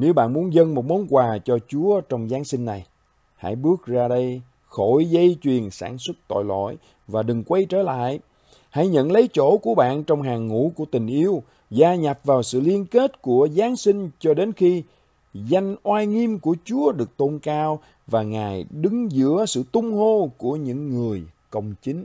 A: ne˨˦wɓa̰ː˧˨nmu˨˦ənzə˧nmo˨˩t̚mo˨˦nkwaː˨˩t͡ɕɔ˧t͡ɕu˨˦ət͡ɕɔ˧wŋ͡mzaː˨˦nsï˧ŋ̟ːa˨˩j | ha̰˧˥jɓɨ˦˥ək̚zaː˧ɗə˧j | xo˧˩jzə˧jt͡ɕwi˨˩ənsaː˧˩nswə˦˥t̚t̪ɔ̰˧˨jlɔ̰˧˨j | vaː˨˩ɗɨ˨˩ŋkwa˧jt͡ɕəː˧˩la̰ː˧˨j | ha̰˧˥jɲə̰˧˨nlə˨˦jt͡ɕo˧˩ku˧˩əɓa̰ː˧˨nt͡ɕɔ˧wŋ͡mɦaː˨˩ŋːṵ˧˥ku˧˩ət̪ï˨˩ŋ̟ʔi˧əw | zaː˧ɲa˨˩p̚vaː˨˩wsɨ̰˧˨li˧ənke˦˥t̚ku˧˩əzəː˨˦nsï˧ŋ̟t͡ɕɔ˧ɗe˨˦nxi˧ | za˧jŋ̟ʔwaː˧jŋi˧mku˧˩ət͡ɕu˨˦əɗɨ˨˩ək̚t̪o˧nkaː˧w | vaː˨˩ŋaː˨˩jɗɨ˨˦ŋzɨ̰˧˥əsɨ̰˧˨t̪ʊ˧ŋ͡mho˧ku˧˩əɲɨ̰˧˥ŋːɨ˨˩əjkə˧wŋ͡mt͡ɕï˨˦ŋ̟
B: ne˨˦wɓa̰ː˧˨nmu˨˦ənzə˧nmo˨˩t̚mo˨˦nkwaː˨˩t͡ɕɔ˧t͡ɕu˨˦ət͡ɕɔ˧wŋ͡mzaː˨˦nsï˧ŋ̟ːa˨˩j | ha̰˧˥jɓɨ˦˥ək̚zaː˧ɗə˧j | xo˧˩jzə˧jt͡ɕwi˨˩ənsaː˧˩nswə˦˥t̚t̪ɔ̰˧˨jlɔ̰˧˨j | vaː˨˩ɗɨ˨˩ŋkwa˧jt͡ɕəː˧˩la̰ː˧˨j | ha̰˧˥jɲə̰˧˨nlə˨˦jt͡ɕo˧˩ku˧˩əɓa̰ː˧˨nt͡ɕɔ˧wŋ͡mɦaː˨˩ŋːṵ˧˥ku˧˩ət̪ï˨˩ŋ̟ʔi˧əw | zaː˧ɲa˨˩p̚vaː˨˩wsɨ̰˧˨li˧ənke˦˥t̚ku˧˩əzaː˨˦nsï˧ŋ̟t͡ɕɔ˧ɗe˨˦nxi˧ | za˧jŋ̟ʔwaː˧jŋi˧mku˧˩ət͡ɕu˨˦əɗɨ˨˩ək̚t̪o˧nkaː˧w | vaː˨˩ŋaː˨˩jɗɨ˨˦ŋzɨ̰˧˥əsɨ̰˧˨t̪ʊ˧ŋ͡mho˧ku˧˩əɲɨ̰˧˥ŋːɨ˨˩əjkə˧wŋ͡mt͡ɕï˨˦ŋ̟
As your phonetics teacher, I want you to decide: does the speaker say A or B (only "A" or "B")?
B